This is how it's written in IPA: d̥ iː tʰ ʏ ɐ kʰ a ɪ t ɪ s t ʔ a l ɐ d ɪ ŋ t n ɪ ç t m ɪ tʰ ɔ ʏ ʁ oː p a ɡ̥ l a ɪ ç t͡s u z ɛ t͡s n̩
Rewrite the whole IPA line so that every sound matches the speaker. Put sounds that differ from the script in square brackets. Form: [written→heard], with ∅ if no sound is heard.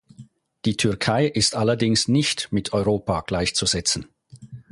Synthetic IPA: d̥ iː tʰ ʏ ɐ kʰ a ɪ [t→ʔ] ɪ s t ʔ a l ɐ d ɪ ŋ [t→s] n ɪ ç t m ɪ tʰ ɔ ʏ ʁ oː p a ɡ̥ l a ɪ ç t͡s u z ɛ t͡s n̩

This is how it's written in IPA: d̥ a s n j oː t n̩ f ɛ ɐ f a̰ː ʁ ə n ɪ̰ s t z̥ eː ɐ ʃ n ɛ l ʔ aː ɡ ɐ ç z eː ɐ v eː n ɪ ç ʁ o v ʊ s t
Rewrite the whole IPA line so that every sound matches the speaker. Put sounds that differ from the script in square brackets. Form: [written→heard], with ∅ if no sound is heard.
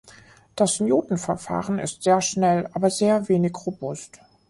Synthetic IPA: d̥ a s n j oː t n̩ f ɛ ɐ f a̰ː ʁ ə n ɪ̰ s t z̥ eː ɐ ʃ n ɛ l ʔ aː [ɡ→b] ɐ [ç→∅] z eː ɐ v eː n ɪ ç ʁ o [v→b] ʊ s t

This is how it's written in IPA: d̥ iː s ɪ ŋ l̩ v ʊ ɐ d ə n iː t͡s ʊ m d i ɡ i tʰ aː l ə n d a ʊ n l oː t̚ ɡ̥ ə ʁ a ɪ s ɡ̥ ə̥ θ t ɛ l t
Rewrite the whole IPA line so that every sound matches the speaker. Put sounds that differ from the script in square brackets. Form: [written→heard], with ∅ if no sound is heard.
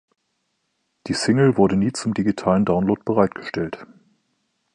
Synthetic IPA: d̥ iː s ɪ ŋ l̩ v ʊ ɐ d ə n iː t͡s ʊ m d i ɡ i tʰ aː l ə n d a ʊ n l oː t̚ [ɡ̥→b̥] ə ʁ a ɪ [s→t] ɡ̥ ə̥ [θ→ʃ] t ɛ l t

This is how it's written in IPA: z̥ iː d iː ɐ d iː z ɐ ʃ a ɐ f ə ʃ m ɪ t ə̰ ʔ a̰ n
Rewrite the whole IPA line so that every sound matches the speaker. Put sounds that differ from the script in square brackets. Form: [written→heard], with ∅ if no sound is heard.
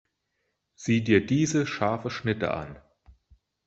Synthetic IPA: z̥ iː d iː ɐ d iː z [ɐ→ə] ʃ a ɐ f ə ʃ [m→n] ɪ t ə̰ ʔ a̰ n

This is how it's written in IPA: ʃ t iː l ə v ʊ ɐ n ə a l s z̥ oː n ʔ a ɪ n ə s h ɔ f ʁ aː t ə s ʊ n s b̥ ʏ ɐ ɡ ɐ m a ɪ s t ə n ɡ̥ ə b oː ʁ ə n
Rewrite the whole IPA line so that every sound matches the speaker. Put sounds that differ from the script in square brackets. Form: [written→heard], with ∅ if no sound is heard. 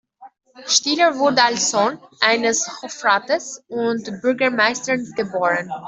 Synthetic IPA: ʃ t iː l ə v ʊ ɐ [n→d] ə a l s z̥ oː n ʔ a ɪ n ə s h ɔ f ʁ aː t ə s ʊ n [s→t] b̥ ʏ ɐ ɡ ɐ m a ɪ s t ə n ɡ̥ ə b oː ʁ ə n

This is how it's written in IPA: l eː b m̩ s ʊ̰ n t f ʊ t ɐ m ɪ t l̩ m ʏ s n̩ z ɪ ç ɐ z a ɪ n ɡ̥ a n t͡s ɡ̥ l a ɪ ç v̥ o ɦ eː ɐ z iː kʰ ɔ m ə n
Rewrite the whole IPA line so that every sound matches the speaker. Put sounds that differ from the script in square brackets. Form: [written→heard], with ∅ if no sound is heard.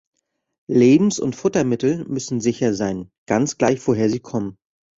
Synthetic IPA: l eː b m̩ s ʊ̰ n t f ʊ t ɐ m ɪ t l̩ m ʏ s n̩ z ɪ ç ɐ z a ɪ n ɡ̥ a n t͡s ɡ̥ l a ɪ ç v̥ o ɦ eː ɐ z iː kʰ ɔ m ə n

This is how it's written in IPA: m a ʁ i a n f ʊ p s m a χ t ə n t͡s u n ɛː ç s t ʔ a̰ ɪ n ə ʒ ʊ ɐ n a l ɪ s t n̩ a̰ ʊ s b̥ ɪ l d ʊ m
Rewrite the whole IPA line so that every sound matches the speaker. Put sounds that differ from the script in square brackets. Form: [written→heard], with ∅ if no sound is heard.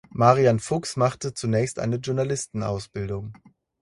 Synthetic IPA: m a ʁ i a n f ʊ [p→k] s m a χ t ə [n→∅] t͡s u n ɛː ç s t ʔ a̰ ɪ n ə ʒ ʊ ɐ n a l ɪ s t n̩ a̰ ʊ s b̥ ɪ l d ʊ [m→ŋ]

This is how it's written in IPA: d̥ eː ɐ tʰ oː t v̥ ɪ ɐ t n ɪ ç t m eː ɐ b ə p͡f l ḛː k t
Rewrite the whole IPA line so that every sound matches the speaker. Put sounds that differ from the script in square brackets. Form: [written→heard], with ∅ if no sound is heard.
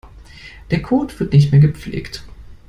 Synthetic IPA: d̥ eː ɐ [tʰ→kʰ] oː t v̥ ɪ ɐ t n ɪ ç t m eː ɐ [b→ɡ] ə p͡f l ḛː k t

